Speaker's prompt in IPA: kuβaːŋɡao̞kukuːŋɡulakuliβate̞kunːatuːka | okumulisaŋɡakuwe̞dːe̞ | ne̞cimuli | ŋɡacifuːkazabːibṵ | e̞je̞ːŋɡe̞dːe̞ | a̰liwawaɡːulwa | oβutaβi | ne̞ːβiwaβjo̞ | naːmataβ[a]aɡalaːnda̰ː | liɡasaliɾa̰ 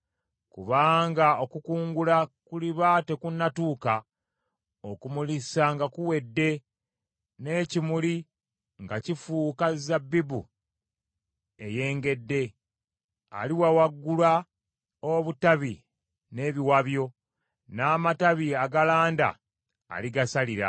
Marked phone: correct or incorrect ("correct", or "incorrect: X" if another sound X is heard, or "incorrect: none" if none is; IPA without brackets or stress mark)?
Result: incorrect: i